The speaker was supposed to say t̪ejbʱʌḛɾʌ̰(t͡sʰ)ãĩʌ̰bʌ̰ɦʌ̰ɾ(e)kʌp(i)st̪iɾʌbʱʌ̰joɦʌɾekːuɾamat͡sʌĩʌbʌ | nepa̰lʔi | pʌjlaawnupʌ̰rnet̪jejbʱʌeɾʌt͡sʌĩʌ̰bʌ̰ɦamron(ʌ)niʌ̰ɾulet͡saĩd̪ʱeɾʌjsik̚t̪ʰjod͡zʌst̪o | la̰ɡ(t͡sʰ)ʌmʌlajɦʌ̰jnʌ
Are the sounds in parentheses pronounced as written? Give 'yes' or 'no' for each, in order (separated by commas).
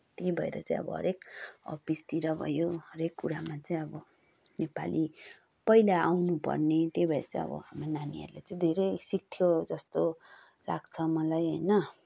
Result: no, yes, yes, no, yes